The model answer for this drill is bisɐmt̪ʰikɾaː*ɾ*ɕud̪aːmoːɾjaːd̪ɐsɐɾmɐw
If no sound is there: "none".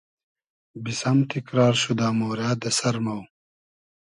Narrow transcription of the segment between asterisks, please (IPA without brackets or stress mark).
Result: ɾ